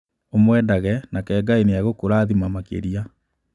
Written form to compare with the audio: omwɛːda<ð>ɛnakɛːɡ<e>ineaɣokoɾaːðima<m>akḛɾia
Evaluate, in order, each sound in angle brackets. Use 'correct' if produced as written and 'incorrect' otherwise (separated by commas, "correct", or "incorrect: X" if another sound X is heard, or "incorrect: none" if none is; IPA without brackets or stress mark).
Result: incorrect: ɣ, incorrect: a, correct